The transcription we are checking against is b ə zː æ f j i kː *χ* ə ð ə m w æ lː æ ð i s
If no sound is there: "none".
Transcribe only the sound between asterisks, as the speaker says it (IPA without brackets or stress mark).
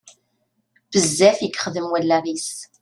χ